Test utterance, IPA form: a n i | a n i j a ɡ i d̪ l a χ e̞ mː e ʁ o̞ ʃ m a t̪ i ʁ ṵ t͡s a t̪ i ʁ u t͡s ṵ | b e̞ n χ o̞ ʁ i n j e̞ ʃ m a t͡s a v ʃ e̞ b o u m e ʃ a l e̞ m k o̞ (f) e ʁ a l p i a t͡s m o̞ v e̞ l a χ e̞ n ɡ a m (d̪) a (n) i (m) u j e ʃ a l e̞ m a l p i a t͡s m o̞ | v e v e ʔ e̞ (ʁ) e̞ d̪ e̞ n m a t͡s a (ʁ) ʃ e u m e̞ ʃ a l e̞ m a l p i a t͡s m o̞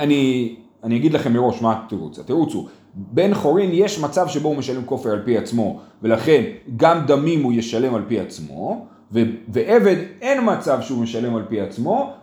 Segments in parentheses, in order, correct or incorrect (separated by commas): correct, correct, incorrect, correct, incorrect, incorrect